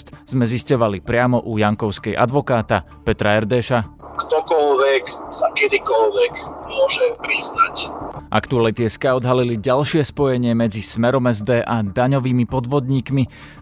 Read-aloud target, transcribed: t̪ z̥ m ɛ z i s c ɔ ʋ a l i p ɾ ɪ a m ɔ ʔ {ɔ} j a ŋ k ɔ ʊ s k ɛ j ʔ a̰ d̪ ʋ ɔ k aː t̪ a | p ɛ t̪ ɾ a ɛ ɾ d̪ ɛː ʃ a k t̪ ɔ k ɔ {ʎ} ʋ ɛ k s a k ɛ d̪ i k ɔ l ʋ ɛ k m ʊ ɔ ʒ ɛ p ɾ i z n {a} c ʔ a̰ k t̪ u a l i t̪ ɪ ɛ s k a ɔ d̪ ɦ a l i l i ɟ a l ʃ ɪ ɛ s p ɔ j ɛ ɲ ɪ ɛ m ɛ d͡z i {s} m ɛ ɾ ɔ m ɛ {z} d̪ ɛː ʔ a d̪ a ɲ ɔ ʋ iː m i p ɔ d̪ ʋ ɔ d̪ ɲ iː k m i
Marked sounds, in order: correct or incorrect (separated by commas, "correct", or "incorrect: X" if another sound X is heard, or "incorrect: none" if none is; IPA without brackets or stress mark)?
incorrect: u, incorrect: l, correct, correct, correct